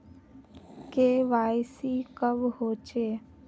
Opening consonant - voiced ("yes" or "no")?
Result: no